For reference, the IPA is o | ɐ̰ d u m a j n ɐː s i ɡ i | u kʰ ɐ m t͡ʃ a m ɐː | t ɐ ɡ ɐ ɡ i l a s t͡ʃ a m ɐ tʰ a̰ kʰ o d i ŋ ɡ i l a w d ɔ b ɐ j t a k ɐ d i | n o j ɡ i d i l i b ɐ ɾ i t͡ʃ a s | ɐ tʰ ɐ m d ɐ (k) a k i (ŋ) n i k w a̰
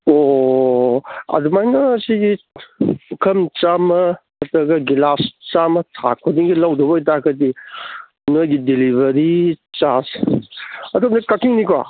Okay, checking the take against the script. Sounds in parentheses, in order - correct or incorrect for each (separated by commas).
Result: correct, correct